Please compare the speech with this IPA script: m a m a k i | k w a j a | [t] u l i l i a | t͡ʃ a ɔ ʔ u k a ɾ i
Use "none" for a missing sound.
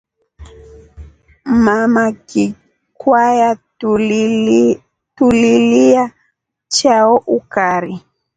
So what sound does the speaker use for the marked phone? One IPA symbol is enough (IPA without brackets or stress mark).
t